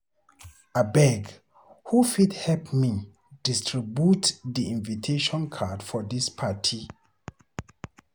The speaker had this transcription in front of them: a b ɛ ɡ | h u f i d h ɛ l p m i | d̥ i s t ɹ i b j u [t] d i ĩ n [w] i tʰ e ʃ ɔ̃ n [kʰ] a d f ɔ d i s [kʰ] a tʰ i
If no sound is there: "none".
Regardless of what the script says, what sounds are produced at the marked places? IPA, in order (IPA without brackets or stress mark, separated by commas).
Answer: t, v, kʰ, pʰ